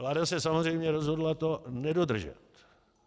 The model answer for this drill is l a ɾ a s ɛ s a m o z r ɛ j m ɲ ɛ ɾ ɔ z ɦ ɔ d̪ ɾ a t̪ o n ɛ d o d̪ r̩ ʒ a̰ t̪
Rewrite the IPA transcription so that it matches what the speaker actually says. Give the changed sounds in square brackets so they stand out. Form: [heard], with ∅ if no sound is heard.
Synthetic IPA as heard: l a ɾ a s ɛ s a m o z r ɛ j m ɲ ɛ ɾ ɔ z ɦ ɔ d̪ [l] a t̪ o n ɛ d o d̪ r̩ ʒ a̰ t̪